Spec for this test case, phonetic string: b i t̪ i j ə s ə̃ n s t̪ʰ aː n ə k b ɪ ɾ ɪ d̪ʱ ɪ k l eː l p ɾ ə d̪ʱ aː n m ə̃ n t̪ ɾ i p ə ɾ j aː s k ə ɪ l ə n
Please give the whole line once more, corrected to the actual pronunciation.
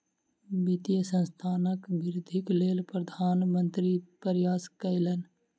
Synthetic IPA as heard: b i t̪ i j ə s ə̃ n s t̪ʰ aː n ə k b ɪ ɾ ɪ d̪ʱ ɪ k l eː l p ɾ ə d̪ʱ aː n m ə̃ n t̪ ɾ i p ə ɾ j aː s k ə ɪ l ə n